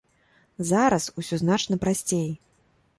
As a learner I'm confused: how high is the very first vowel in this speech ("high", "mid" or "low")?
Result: low